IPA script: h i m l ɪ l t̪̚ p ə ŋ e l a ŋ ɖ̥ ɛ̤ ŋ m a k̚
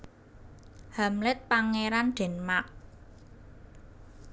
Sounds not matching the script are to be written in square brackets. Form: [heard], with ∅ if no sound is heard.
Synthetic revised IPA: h [a] m l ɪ [∅] t̪̚ p [a] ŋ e [ɾ] a [n] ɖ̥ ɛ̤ [n] m a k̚